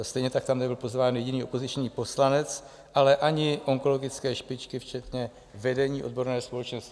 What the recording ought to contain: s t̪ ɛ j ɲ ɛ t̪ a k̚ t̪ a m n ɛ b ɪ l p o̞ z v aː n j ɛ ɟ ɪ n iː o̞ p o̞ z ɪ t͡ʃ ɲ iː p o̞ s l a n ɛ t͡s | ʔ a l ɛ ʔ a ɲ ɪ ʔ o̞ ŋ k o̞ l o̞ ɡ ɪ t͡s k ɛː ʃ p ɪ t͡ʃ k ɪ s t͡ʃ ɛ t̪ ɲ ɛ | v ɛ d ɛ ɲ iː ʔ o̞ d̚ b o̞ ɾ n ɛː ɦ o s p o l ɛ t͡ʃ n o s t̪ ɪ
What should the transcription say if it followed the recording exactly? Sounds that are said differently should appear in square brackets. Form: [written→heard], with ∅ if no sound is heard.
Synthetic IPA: s t̪ ɛ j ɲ ɛ t̪ a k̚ t̪ a m n ɛ b ɪ l p o̞ z v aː n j ɛ ɟ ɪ n iː o̞ p o̞ z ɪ t͡ʃ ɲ iː p o̞ s l a n ɛ t͡s | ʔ a l ɛ ʔ a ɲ ɪ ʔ o̞ ŋ k o̞ l o̞ ɡ ɪ t͡s k ɛː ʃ p ɪ t͡ʃ k ɪ [s→f] t͡ʃ ɛ t̪ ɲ ɛ | v ɛ d ɛ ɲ iː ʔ o̞ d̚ b o̞ ɾ n ɛː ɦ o s p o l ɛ t͡ʃ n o s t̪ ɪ